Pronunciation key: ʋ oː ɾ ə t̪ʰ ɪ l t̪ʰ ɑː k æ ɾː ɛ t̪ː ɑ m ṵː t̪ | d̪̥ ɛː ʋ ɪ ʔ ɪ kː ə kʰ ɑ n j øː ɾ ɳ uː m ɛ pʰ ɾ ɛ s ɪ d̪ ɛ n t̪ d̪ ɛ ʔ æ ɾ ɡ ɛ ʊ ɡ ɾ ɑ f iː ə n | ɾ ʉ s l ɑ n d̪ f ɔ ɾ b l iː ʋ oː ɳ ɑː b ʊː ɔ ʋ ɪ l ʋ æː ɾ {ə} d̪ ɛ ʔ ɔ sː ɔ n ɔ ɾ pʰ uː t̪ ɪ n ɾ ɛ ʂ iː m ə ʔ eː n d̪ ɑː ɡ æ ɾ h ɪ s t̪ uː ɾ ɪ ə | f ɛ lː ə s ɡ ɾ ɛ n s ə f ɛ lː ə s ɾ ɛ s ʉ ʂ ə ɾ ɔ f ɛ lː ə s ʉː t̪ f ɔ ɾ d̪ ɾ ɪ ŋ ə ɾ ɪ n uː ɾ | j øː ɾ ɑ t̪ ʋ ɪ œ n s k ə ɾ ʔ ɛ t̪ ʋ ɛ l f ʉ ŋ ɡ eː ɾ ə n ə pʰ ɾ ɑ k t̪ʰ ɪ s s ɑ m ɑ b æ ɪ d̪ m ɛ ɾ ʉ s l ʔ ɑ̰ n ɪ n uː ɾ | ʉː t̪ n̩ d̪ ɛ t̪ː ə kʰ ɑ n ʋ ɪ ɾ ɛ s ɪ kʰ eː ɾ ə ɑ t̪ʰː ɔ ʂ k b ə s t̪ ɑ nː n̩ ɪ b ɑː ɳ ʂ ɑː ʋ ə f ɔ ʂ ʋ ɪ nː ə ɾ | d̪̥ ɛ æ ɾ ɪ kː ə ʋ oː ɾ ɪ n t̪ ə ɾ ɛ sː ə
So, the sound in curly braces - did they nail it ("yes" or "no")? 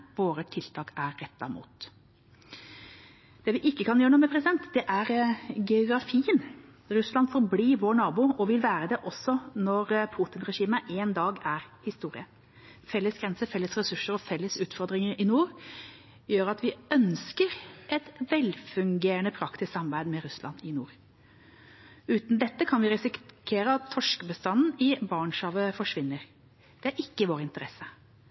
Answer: yes